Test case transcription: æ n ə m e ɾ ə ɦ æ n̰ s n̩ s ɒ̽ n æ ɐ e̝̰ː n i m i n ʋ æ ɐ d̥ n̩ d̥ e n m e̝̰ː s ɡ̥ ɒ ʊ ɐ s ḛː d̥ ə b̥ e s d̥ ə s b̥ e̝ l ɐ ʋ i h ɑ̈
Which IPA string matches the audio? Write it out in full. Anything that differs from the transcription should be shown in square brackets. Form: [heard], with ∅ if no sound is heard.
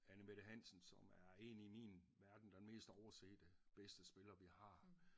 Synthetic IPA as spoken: æ n ə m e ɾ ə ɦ æ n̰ s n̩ s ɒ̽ [m] æ ɐ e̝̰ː n i m i n ʋ æ ɐ d̥ n̩ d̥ e n m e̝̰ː s [d̥] ɒ ʊ ɐ s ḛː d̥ ə b̥ e s d̥ ə s b̥ e̝ l ɐ ʋ i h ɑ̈